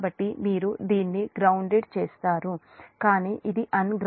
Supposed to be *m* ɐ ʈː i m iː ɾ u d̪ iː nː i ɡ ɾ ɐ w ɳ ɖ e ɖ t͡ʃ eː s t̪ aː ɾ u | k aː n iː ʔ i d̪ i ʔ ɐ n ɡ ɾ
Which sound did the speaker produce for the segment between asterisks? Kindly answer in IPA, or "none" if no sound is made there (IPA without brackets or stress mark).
b